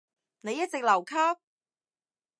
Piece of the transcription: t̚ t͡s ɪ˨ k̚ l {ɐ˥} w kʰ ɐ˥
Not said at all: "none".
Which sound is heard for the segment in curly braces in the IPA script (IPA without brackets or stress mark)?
ɐ˨˩